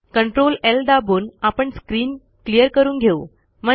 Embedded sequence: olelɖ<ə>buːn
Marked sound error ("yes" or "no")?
yes